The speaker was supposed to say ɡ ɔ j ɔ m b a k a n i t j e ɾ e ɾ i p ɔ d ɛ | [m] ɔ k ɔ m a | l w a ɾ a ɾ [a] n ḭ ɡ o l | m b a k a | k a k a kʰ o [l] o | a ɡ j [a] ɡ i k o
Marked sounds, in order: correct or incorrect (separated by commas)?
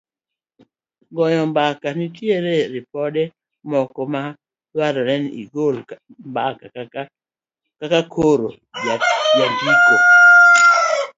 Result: correct, incorrect, incorrect, correct